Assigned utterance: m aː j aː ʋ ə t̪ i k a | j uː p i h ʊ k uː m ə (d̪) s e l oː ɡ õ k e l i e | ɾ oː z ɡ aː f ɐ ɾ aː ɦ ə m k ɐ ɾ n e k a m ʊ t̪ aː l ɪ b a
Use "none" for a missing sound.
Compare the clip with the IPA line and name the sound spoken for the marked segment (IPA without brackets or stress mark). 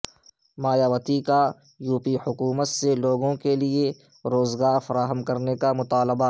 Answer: t̪